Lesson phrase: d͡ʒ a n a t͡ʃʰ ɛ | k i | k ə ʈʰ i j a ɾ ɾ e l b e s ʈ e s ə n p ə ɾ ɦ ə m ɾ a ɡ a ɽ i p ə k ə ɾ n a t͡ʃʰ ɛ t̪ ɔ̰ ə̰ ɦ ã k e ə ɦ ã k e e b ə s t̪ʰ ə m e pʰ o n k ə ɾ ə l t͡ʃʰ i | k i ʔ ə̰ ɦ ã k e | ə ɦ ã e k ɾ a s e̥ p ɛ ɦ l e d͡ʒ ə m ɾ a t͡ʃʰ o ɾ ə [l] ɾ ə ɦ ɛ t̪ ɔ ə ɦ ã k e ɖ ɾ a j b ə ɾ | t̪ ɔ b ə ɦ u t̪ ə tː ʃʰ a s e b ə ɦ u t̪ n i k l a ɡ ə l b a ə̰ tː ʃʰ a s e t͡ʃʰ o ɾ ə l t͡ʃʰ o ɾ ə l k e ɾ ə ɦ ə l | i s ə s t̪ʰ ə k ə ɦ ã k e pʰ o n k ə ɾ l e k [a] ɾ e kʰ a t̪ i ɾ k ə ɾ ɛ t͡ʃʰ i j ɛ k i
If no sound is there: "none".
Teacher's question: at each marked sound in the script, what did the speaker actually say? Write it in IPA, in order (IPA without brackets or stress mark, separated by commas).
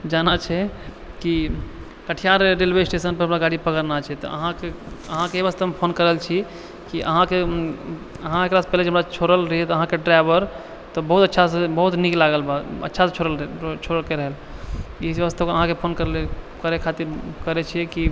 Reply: l, ə